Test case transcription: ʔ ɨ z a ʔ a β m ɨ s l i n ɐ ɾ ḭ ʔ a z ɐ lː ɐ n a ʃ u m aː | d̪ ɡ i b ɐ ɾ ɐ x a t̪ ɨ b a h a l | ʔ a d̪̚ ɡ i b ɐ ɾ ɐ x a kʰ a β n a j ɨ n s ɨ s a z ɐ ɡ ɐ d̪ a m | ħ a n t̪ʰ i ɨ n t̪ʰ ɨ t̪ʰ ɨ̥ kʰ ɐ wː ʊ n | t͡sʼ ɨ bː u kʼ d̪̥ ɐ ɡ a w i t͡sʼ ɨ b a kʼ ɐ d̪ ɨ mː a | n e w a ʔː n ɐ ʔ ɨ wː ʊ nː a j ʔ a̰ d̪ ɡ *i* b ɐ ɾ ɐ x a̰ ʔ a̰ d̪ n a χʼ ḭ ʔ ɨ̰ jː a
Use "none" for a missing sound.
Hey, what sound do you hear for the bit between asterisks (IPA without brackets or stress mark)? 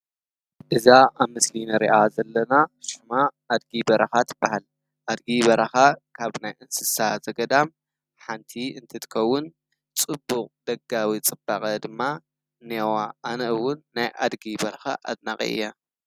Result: i